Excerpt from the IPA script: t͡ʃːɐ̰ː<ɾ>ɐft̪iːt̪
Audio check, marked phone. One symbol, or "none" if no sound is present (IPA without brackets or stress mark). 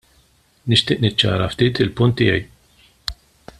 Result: ɾ